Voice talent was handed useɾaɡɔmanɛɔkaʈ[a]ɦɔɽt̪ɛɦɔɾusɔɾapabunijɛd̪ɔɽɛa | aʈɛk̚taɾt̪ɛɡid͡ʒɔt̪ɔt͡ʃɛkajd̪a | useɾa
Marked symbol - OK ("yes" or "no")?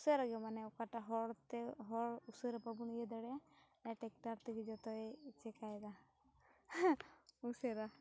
yes